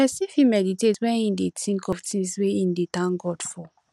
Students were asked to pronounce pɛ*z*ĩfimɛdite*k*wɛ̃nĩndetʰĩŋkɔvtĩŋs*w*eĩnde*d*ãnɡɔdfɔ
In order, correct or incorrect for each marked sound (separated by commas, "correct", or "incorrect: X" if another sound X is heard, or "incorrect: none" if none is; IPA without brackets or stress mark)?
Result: incorrect: s, incorrect: t, correct, incorrect: t